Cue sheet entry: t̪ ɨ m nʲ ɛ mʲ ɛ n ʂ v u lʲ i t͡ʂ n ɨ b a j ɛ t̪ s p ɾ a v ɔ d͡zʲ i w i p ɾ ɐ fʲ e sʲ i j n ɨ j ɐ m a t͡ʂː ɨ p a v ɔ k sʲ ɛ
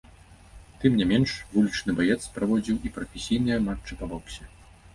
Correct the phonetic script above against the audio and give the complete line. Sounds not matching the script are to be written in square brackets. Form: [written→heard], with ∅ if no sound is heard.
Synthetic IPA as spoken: t̪ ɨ m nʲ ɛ mʲ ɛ n ʂ v u lʲ i t͡ʂ n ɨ b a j ɛ t̪ s p ɾ a v ɔ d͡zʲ i w i p ɾ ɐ fʲ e sʲ i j n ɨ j ɐ m a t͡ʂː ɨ p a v ɔ k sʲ ɛ